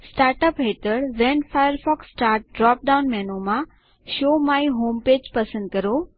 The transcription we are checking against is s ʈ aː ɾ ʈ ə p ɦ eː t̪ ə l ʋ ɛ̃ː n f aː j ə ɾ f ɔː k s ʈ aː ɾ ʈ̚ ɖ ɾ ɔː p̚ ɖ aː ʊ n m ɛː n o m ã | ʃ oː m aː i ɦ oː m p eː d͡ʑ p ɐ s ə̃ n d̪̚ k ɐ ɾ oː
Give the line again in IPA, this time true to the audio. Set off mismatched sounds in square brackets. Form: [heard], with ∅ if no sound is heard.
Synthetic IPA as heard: s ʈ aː ɾ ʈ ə p ɦ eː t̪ ə [ɽ] ʋ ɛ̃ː n f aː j ə ɾ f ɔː k s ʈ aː ɾ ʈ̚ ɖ ɾ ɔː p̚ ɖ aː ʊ n m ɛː n o m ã | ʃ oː m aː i ɦ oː m p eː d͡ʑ p ɐ s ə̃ n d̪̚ k ɐ ɾ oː